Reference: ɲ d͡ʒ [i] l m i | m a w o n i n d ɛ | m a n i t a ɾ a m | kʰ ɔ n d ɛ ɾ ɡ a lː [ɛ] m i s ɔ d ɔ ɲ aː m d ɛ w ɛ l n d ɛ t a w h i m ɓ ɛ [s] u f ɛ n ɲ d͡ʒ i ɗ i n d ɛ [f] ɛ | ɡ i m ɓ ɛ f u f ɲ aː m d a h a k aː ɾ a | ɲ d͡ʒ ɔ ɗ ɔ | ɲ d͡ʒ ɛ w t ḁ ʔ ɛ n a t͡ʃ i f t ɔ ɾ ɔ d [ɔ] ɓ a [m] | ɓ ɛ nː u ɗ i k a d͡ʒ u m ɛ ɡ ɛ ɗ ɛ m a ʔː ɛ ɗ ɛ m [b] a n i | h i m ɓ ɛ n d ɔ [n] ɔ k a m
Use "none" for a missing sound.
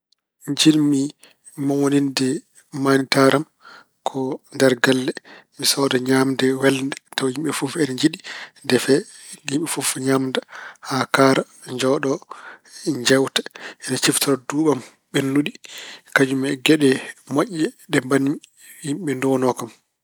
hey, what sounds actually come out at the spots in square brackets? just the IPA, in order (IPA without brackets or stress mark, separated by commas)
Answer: i, ɛ, f, f, u, m, b, n